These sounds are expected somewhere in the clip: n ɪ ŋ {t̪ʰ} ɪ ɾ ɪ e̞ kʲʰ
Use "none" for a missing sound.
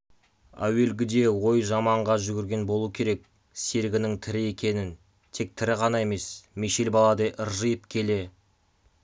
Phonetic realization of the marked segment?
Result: t̪ʰ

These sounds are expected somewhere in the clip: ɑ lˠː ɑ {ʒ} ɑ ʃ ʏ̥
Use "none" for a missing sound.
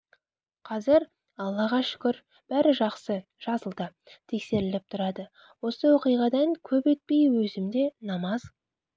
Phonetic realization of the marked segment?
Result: ʁ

